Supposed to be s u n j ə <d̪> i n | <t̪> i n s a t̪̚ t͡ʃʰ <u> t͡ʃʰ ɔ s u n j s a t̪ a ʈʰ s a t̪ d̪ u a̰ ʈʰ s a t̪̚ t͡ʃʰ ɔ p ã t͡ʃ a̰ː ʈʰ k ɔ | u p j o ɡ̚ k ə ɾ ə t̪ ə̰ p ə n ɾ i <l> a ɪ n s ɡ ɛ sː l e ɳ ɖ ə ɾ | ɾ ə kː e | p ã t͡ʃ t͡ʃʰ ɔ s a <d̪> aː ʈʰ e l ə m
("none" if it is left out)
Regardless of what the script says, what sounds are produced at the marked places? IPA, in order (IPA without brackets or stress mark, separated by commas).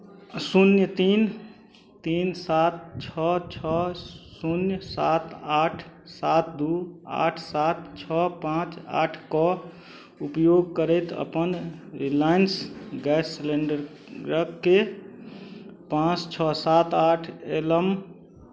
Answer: t̪, t̪, ɔ, l, t̪